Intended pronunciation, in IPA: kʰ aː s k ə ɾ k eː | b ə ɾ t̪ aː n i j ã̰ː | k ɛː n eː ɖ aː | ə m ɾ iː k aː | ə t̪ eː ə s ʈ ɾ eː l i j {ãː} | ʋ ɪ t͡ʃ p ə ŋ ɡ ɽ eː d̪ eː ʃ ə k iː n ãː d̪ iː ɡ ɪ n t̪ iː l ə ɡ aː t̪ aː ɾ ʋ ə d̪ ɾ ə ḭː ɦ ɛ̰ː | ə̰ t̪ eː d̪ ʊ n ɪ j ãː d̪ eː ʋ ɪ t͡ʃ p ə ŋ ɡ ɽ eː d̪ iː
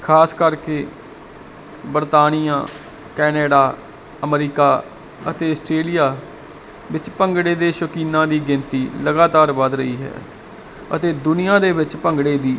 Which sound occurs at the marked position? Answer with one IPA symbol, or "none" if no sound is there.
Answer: aː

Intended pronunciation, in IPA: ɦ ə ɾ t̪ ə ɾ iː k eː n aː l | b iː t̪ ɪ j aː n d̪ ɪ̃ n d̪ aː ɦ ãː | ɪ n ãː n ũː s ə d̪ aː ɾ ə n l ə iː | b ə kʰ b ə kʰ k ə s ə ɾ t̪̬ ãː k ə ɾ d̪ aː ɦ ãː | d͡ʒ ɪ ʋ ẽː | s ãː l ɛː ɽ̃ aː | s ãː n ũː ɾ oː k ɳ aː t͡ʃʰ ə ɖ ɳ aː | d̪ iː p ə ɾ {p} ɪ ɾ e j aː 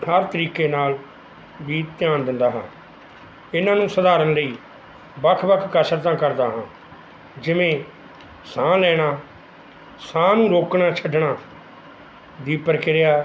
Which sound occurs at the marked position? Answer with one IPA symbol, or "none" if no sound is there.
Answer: k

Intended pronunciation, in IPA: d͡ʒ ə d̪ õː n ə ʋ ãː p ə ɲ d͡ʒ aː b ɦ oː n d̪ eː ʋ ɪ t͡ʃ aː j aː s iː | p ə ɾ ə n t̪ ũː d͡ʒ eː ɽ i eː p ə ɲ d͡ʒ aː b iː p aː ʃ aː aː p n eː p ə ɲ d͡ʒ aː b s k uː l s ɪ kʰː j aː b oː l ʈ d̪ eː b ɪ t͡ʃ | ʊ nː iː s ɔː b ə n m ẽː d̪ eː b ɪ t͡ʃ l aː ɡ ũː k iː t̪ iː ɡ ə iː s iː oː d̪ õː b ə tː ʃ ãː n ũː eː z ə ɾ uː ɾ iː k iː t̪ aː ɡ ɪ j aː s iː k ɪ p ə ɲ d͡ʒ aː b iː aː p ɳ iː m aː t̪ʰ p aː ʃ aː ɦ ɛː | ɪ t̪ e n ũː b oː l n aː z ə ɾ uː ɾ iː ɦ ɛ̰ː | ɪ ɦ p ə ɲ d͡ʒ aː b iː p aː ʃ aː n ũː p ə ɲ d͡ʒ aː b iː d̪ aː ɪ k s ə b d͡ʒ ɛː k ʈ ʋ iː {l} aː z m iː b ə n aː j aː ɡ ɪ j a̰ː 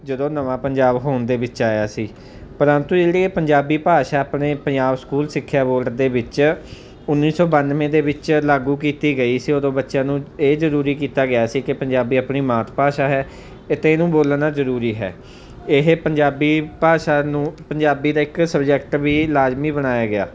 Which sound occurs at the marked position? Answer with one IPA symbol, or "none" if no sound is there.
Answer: l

